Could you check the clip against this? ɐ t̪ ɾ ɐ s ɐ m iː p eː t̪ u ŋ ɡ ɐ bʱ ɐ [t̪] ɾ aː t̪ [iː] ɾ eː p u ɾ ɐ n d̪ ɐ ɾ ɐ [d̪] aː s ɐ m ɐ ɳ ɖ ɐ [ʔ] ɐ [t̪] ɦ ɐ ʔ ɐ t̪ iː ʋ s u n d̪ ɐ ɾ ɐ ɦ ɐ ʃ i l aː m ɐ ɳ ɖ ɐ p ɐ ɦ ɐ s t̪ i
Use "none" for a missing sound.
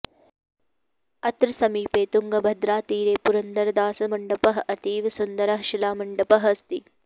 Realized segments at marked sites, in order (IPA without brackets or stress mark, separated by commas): d̪, iː, d̪, p, none